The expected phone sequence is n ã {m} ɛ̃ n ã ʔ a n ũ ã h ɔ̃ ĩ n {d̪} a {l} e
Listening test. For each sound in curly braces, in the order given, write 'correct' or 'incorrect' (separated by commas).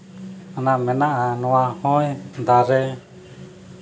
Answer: correct, correct, incorrect